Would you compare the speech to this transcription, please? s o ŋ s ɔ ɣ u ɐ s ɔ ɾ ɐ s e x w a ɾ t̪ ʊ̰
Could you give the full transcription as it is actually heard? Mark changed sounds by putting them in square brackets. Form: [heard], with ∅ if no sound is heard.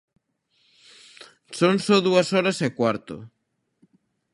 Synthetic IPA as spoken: s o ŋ s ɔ [ð] u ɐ s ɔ ɾ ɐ s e [k] w a ɾ t̪ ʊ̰